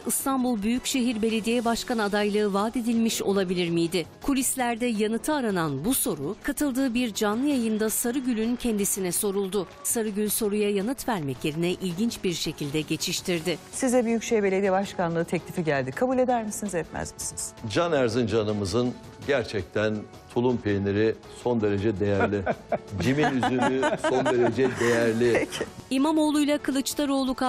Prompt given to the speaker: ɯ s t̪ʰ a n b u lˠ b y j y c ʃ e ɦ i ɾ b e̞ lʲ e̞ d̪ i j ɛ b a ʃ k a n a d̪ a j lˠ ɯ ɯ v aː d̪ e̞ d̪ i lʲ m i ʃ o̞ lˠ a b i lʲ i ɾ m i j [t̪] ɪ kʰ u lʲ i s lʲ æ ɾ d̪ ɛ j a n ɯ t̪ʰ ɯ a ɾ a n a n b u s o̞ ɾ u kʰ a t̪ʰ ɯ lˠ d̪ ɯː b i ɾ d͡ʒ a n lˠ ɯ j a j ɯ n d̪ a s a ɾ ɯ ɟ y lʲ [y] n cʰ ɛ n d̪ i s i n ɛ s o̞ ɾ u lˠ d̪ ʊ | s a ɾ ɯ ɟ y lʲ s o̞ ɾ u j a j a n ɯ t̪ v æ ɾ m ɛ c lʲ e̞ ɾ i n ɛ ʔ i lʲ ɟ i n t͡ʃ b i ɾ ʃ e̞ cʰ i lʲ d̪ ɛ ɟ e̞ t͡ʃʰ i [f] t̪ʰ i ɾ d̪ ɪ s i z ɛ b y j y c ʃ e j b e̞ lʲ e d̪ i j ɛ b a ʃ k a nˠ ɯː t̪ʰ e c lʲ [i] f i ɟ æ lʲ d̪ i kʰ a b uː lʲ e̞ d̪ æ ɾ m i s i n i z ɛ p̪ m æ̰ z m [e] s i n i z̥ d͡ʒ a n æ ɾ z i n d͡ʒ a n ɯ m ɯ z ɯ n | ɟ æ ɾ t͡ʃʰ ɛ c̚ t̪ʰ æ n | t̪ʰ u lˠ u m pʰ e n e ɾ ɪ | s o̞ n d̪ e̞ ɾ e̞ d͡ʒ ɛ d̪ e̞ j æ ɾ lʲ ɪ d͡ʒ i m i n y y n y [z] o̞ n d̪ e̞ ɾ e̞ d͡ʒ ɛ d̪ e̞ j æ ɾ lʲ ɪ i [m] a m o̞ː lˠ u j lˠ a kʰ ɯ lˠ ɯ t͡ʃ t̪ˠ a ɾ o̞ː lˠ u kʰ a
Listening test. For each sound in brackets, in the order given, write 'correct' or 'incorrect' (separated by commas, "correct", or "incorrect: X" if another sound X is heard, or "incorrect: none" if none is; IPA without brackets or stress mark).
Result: incorrect: d̪, correct, incorrect: ʃ, correct, incorrect: i, incorrect: s, correct